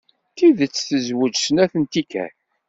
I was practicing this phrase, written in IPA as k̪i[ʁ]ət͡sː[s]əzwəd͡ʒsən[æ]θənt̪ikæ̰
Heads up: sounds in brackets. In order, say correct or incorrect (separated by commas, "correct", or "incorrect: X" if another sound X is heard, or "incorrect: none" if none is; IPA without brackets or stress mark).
incorrect: ð, incorrect: θ, correct